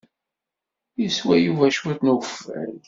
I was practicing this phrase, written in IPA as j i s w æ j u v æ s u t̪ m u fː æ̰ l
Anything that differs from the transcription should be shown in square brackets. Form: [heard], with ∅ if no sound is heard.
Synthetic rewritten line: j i s w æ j u v æ [ʃ] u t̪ [n] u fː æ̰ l